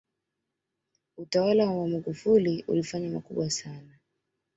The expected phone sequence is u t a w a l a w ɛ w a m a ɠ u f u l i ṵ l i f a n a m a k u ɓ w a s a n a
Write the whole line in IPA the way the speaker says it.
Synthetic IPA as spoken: u t a w a l a w a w a m a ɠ u f u l i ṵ l i f a ɲ a m a k u ɓ w a s a n a